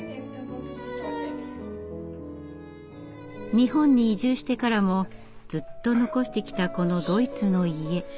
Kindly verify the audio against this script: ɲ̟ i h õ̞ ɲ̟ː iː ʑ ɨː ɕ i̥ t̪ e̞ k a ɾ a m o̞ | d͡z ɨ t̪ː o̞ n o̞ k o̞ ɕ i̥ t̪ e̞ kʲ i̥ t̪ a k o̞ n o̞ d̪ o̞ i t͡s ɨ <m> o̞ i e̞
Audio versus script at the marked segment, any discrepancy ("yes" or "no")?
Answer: yes